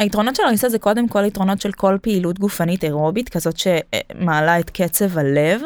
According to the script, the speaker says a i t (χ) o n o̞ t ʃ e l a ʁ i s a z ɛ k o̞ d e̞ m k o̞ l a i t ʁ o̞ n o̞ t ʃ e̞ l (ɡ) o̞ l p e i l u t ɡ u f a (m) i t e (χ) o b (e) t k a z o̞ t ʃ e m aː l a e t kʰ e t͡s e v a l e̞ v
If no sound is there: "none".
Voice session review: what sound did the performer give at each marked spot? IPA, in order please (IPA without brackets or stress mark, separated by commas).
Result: ʁ, k, n, ʁ, i